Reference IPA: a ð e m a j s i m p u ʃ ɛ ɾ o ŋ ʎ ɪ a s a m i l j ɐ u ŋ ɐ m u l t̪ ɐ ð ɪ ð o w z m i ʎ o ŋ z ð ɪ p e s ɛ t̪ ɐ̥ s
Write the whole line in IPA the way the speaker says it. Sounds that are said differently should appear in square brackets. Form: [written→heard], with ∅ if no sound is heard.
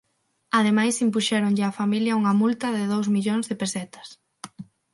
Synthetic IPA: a ð e m a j s i m p u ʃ ɛ ɾ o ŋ ʎ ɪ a [s→f] a m i l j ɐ u ŋ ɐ m u l t̪ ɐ ð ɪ ð o w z m i ʎ o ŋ z ð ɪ p e s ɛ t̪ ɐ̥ s

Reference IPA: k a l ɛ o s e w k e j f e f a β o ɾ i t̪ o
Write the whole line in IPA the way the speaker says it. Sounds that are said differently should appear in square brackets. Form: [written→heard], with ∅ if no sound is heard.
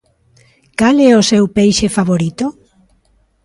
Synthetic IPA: k a l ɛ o s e w [k→p] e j [f→ʃ] e f a β o ɾ i t̪ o

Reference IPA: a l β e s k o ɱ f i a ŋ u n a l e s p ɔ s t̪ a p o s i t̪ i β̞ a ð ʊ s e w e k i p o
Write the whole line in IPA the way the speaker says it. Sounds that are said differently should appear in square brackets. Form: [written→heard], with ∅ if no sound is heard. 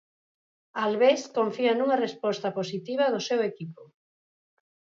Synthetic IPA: a l β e s k o ɱ f i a [ŋ→n] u [n→ŋ] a [l→r] e s p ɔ s t̪ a p o s i t̪ i β̞ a ð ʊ s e w e k i p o

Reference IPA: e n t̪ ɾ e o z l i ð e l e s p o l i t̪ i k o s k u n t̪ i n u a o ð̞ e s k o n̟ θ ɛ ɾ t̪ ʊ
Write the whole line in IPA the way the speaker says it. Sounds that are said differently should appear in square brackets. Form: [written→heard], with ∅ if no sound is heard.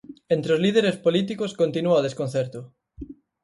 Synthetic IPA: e n t̪ ɾ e o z l i ð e [l→ɾ] e s p o l i t̪ i k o s k [u→o] n t̪ i n u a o ð̞ e s k o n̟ θ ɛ ɾ t̪ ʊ

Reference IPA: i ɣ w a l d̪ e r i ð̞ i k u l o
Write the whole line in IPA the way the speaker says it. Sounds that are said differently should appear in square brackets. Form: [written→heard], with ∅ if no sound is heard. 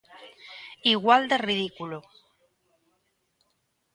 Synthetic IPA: i ɣ w a l d̪ e r i ð̞ i k u l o

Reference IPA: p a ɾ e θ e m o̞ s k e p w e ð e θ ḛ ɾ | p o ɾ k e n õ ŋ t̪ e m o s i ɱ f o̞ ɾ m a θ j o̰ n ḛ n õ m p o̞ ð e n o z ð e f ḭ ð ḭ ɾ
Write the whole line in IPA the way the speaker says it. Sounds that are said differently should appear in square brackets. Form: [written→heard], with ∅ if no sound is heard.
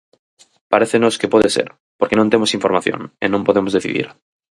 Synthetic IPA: p a ɾ e θ e [m→n] o̞ s k e p w e ð e [θ→s] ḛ ɾ | p o ɾ k e n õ [ŋ→n] t̪ e m o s i ɱ f o̞ ɾ m a θ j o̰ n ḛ n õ m p o̞ ð e [n→m] o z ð e [f→θ] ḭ ð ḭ ɾ

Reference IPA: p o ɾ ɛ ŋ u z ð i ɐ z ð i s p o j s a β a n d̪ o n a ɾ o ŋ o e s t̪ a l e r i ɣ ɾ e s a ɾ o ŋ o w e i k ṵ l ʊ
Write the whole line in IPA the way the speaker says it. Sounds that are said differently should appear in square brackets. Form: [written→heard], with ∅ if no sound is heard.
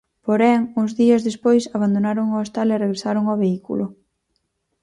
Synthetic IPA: p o ɾ ɛ ŋ u z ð i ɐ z ð [i→e] s p o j s a β a n d̪ o n a ɾ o ŋ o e s t̪ a l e r [i→e] ɣ ɾ e s a ɾ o ŋ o [w→β] e i k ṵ l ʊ

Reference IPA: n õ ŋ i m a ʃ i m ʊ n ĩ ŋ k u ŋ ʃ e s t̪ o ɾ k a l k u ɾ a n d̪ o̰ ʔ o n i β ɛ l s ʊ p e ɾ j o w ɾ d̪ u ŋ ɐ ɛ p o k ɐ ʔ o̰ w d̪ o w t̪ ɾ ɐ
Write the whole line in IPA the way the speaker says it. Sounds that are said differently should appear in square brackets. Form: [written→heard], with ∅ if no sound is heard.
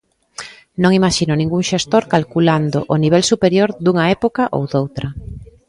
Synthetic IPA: n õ ŋ i m a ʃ i [m→n] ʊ n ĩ ŋ [k→ɡ] u ŋ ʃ e s t̪ o ɾ k a l k u [ɾ→l] a n d̪ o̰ ʔ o n i β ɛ l s [ʊ→u] p e ɾ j o [w→∅] ɾ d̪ u ŋ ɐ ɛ p o k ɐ ʔ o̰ w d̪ o w t̪ ɾ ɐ

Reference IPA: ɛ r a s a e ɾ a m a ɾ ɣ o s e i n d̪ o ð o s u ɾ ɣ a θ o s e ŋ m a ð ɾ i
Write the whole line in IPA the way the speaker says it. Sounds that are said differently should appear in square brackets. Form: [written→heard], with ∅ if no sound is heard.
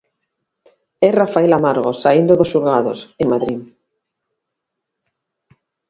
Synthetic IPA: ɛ r a [s→f] a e [ɾ→l] a m a ɾ ɣ o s [e→a] i n d̪ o ð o s u ɾ ɣ a [θ→ð] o s e ŋ m a ð ɾ i

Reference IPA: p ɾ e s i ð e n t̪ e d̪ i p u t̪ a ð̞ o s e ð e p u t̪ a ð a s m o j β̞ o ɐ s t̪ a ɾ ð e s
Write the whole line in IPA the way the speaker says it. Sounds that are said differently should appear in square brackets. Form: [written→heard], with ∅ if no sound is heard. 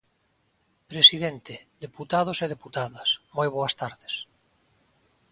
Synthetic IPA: p ɾ e s i ð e n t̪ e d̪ [i→e] p u t̪ a ð̞ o s e ð e p u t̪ a ð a s m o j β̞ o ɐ s t̪ a ɾ ð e s

